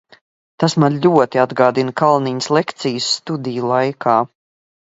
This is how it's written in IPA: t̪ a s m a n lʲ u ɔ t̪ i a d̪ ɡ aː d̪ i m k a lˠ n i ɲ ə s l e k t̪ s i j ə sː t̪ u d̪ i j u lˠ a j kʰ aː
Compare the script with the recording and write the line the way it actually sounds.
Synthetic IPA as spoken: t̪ a s m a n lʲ u ɔ t̪ i a d̪ ɡ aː d̪ i n k a lˠ n i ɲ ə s l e k t̪ s i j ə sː t̪ u d̪ i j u lˠ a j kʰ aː